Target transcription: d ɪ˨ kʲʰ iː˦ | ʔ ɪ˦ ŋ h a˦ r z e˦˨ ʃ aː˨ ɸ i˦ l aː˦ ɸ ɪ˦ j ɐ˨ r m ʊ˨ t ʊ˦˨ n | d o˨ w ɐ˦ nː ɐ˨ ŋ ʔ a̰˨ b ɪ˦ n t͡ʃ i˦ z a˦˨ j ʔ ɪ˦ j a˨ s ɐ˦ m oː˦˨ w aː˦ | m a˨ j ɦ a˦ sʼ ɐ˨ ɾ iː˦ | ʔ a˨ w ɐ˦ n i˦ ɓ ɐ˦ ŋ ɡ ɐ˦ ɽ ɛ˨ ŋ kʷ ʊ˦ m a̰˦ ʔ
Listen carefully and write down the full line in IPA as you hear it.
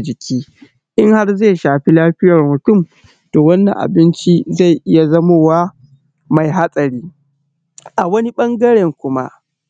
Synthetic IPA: d͡ʒ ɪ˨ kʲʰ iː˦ | ʔ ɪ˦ ŋ h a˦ r z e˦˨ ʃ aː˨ ɸ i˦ l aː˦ ɸ ɪ˦ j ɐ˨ r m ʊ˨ t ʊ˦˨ m | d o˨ w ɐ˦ nː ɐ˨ ŋ ʔ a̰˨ b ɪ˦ n t͡ʃ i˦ z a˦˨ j ʔ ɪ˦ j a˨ z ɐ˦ m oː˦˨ w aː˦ | m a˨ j ɦ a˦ sʼ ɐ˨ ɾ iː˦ | ʔ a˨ w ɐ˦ n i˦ ɓ ɐ˦ ŋ ɡ ɐ˦ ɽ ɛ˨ ŋ kʷ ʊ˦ m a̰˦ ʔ